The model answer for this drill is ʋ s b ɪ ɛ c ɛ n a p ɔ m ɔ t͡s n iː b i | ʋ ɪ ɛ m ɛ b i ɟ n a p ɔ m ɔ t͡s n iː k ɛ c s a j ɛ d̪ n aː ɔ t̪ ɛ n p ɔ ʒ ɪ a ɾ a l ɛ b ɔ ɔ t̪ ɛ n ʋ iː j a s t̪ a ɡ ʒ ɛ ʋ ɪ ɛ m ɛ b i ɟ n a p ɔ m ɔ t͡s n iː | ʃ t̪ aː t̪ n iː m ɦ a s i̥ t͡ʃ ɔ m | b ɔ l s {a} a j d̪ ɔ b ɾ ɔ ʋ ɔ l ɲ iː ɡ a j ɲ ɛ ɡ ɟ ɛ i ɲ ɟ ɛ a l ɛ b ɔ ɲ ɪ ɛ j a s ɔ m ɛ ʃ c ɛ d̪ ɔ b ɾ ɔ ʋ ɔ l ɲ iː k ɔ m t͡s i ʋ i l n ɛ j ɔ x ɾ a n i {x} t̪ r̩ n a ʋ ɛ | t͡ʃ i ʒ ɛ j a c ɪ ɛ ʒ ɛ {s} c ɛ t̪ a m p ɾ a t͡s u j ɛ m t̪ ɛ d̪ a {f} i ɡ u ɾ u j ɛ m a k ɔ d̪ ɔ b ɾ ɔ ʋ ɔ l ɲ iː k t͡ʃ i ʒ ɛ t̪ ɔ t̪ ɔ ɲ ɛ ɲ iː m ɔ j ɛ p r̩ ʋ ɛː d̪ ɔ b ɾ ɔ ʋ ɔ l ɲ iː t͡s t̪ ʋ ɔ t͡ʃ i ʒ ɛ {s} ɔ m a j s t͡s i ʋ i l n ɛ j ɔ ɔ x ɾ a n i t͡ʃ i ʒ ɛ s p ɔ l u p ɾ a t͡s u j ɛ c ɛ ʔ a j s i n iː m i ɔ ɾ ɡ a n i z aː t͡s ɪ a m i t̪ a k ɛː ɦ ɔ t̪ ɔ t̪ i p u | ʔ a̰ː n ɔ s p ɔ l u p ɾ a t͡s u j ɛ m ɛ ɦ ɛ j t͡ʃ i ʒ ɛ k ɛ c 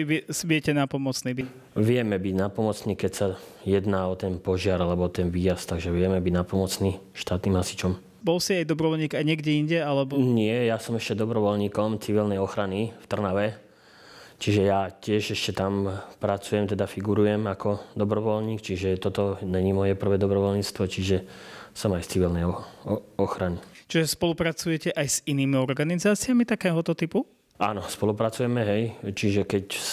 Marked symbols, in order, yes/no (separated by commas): no, no, no, yes, yes